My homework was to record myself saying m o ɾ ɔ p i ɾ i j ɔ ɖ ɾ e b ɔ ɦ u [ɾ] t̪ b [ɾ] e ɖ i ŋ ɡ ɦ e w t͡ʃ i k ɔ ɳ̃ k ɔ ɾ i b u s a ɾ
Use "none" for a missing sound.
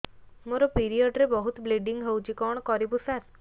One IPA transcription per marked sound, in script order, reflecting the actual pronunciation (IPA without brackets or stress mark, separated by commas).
none, l